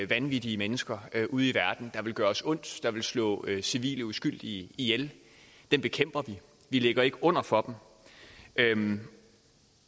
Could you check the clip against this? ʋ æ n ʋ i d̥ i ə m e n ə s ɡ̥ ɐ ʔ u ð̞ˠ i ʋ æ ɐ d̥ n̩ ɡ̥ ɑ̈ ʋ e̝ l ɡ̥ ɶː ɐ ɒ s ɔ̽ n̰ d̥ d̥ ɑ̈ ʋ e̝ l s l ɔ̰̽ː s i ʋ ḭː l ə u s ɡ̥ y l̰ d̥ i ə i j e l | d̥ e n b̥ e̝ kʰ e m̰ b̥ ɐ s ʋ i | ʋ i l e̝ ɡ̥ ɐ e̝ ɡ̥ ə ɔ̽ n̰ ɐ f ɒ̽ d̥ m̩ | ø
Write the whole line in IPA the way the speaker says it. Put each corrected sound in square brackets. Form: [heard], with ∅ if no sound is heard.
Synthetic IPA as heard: ʋ æ n ʋ i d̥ i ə m e n ə s ɡ̥ ɐ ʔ u ð̞ˠ i ʋ æ ɐ d̥ n̩ [d̥] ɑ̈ ʋ e̝ l ɡ̥ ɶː ɐ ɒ s ɔ̽ n̰ d̥ d̥ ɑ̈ ʋ e̝ l s l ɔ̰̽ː s i ʋ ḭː l ə u s ɡ̥ y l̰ d̥ i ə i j e l | d̥ e n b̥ e̝ kʰ e m̰ b̥ ɐ [∅] ʋ i | ʋ i l e̝ ɡ̥ ɐ e̝ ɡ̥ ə ɔ̽ n̰ ɐ f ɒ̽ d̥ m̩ | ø